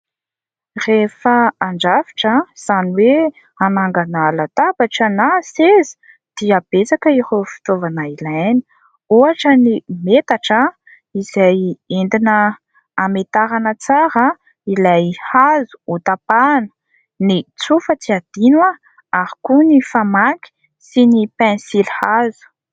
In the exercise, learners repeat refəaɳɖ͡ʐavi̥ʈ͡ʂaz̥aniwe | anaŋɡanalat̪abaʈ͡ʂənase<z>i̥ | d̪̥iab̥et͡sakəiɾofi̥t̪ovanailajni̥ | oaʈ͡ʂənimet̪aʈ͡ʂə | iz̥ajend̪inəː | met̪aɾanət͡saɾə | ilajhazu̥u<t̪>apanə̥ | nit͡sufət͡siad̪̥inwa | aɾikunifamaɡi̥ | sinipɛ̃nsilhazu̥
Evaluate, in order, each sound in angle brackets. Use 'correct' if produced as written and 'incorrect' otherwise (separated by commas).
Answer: correct, correct